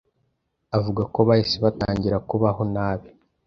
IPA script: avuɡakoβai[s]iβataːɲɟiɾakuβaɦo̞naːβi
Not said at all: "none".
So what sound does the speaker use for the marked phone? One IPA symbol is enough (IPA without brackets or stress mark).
s